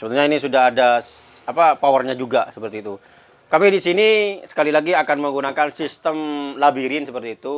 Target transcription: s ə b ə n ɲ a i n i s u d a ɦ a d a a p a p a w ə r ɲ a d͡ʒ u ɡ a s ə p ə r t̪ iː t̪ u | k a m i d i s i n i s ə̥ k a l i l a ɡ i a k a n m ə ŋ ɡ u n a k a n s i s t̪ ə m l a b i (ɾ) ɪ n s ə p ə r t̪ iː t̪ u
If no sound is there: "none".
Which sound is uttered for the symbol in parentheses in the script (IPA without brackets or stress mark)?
ɾ